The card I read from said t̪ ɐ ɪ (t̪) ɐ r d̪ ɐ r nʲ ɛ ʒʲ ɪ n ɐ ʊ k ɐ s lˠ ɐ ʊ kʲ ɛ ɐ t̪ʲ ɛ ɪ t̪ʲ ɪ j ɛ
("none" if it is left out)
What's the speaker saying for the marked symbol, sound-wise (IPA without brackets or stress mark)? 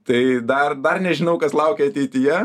d̪